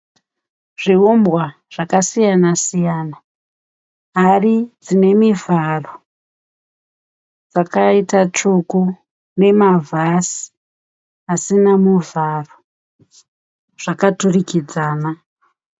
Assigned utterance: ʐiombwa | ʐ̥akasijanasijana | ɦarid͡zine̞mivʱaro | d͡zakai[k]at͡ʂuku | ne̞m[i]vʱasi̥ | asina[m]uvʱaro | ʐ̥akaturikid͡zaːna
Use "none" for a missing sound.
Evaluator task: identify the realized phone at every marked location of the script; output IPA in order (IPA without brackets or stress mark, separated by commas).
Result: t, a, m